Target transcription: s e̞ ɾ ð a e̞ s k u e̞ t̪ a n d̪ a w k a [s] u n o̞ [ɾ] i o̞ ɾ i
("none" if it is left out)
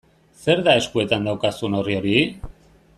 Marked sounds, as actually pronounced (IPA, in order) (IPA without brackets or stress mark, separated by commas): s, r